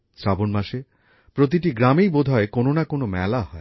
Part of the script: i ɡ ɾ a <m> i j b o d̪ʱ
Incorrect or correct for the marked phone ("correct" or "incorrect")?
correct